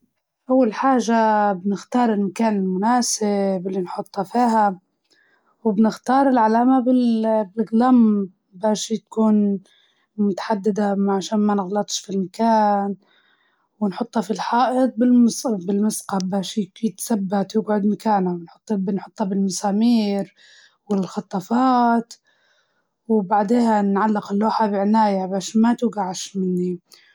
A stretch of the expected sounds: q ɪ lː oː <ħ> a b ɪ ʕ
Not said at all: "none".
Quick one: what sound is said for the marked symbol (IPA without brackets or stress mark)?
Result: ħ